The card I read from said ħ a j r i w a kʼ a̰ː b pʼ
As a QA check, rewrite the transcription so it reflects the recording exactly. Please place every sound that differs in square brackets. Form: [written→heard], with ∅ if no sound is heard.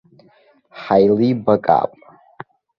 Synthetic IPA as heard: ħ a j [r→l] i [w→b] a kʼ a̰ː [b→∅] pʼ